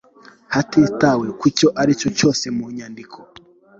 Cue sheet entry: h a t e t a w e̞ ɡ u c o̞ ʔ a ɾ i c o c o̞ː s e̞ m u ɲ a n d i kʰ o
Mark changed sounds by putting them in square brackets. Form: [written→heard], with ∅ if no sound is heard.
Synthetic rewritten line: h a t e t a w e̞ [ɡ→k] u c o̞ ʔ a ɾ i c o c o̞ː s e̞ m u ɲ a n d i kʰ o